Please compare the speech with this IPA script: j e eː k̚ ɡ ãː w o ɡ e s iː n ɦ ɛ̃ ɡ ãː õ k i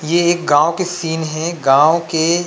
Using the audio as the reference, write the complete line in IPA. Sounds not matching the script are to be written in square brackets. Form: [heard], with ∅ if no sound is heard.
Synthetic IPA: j e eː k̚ ɡ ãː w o [k] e s iː n ɦ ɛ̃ ɡ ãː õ k [e]